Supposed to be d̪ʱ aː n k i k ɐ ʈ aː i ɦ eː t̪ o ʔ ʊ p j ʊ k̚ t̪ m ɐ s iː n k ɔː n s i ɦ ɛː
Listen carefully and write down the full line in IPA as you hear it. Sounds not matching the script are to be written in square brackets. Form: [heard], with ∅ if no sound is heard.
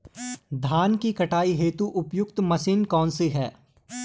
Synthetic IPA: d̪ʱ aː n k i k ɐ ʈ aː i ɦ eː t̪ [u] ʔ ʊ p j ʊ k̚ t̪ m ɐ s iː n k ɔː n s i ɦ ɛː